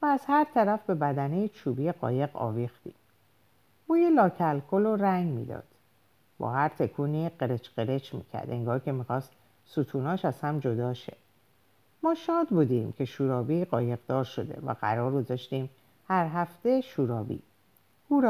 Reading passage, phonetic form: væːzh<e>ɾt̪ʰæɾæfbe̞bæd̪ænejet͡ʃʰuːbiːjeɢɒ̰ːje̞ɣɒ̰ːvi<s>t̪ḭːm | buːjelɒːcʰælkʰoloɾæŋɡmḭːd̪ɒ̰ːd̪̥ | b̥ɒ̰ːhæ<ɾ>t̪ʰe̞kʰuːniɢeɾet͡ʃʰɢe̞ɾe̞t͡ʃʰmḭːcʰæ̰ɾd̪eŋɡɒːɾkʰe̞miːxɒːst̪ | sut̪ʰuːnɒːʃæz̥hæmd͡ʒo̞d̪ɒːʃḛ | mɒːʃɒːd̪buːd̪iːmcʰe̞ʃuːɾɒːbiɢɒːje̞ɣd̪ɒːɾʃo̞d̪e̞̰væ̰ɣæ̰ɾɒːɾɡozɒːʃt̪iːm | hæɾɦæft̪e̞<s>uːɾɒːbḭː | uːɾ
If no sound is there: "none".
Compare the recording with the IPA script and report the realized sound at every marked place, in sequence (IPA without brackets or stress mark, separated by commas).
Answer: æ, x, ɾ, ʃ